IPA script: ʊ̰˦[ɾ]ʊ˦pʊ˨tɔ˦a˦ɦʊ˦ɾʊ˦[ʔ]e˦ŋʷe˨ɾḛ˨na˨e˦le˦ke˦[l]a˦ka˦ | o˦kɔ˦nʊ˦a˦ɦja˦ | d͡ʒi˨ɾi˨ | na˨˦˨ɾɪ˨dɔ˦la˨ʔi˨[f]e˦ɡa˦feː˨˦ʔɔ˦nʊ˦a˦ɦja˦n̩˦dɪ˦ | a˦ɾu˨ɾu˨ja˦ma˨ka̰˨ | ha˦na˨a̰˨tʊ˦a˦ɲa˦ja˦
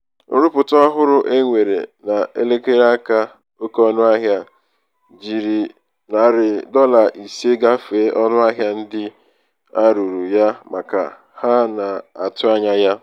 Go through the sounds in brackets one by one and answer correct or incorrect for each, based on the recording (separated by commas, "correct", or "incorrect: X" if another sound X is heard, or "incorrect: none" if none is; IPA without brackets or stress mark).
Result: correct, correct, incorrect: ɾ, incorrect: s